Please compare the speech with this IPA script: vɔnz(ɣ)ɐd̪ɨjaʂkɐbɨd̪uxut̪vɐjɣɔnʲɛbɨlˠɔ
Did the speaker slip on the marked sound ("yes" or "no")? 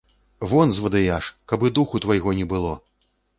yes